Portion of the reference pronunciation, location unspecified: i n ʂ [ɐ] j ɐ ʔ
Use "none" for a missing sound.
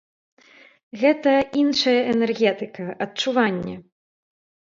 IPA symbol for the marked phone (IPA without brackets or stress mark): ɐ